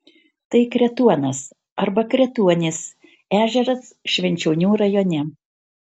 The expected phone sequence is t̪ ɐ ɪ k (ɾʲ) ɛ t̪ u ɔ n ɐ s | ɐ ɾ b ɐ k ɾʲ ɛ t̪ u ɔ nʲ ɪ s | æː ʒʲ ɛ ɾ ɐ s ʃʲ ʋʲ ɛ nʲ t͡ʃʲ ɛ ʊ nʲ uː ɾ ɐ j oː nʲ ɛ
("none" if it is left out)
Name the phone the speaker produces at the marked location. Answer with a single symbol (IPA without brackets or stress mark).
ɾʲ